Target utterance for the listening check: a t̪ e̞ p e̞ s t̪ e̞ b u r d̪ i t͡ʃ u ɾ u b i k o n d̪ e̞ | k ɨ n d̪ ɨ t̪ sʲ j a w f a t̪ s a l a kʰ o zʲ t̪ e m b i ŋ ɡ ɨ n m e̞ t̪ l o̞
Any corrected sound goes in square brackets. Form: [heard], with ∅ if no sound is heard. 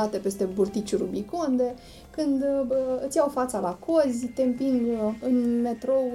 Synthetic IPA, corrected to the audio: a t̪ e̞ p e̞ s t̪ e̞ b u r [t̪] i t͡ʃ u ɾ u b i k o n d̪ e̞ | k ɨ n d̪ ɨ t̪ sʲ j a w f a t̪ s a l a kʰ o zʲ t̪ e m [p] i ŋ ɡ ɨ n m e̞ t̪ [ɾ] o̞